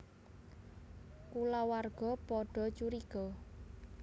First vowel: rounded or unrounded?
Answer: rounded